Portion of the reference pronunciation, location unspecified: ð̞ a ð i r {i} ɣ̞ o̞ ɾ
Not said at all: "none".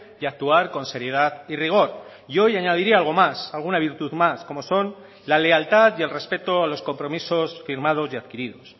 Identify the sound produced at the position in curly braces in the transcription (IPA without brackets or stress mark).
i